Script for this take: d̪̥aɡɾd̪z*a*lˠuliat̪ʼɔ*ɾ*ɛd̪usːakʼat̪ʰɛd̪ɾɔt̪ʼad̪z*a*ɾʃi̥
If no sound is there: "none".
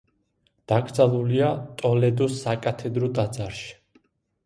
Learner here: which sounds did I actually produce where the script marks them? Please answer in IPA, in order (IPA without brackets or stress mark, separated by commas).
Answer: a, l, a